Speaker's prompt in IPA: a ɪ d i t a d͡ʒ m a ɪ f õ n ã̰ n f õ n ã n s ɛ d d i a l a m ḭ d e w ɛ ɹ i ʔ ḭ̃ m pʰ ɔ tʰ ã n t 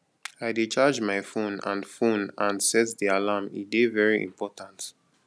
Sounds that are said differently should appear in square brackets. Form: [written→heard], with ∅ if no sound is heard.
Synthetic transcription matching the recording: a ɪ d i [t→t͡ʃ] a d͡ʒ m a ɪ f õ n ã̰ n f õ n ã n s ɛ [d→t] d i a l a m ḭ d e [w→v] ɛ ɹ i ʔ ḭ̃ m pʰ ɔ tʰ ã n t